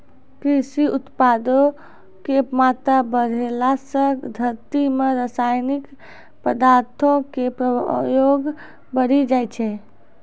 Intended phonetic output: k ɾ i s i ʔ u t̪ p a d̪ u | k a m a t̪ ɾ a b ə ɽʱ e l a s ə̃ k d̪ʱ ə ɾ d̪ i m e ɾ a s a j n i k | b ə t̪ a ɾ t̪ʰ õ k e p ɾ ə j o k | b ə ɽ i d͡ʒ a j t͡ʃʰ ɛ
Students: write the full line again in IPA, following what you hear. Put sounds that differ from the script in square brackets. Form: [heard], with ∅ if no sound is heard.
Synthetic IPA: k ɾ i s i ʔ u t̪ p a d̪ [o] | k [e] m a t̪ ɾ a b ə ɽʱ e l a s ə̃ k d̪ʱ ə ɾ [t̪] i m e ɾ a s a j n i k | [p] ə [d̪] a ɾ t̪ʰ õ k e p ɾ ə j o [ɡ] | b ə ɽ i d͡ʒ a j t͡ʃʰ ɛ